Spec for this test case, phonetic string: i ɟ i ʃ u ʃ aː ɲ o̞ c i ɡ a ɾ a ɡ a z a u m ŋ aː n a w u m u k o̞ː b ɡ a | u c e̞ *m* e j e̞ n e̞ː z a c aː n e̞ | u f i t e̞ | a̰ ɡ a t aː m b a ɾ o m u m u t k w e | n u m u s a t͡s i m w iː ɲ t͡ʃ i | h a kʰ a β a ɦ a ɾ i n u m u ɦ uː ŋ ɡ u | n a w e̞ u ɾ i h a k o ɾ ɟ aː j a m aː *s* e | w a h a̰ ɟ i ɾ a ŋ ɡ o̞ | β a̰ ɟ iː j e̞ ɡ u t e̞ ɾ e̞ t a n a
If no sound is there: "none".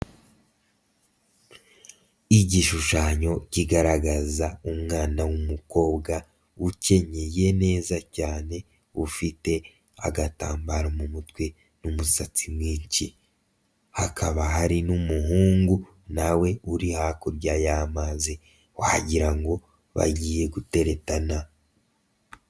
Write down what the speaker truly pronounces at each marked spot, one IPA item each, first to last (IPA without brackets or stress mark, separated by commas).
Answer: ɲ, z